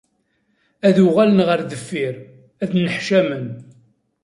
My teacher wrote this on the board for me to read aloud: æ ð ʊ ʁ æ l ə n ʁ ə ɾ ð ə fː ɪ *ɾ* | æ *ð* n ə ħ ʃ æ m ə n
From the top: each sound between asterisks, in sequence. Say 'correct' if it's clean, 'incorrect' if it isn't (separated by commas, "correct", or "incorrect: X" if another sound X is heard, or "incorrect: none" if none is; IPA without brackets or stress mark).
correct, correct